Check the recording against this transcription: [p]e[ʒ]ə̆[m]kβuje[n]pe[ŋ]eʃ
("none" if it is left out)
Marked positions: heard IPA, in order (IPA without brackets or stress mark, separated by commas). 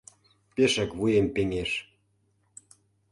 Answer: p, ʃ, none, m, ŋ